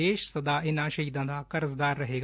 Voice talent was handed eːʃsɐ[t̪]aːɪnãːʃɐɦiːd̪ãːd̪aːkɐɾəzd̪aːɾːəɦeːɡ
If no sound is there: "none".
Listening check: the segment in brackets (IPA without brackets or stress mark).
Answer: d̪